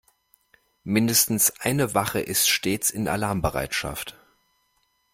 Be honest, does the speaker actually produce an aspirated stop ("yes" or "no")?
no